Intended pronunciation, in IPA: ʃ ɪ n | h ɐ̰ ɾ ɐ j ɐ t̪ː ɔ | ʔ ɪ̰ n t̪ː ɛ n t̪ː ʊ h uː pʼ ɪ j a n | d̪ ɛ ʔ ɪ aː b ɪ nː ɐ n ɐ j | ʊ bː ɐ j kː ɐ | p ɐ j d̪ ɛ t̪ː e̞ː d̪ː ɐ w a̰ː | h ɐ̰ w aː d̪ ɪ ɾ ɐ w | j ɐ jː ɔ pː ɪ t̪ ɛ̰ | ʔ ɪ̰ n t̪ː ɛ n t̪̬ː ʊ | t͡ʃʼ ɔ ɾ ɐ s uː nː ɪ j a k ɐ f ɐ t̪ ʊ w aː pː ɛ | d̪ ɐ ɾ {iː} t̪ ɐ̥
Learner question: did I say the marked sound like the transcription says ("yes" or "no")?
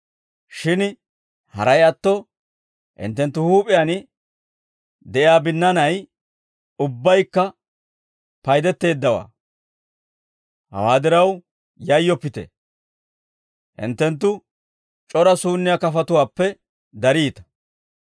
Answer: yes